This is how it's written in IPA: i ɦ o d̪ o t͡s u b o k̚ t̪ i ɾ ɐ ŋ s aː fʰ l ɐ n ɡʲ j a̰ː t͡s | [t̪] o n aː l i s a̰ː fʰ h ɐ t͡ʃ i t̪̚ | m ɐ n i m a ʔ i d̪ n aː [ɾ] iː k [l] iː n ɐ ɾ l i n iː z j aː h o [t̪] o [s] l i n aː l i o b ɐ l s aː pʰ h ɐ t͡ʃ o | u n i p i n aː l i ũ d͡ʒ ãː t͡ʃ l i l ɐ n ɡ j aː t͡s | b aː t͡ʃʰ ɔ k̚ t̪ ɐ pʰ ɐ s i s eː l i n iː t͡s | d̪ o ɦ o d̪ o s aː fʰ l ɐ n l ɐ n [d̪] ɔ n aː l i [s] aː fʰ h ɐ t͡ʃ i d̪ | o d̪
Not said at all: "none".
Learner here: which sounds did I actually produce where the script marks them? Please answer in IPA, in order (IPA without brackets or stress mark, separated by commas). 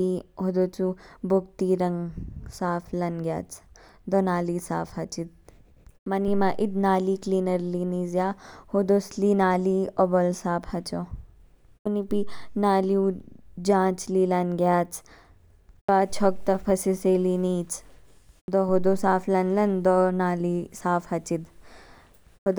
d̪, l, l, d̪, s, d̪, s